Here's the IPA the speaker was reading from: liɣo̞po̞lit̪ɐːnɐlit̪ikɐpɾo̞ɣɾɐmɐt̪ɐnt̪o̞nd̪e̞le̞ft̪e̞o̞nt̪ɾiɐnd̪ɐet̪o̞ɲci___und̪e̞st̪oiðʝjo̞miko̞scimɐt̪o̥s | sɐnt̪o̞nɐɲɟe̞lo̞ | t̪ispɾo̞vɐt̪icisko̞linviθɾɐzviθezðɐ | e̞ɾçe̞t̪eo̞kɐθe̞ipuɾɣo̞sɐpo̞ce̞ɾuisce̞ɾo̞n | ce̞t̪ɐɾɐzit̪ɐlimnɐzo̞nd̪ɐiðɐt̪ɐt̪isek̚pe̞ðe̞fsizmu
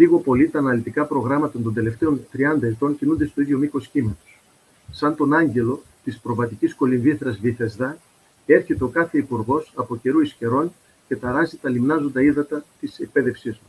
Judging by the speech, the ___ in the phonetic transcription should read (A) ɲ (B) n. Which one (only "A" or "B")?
B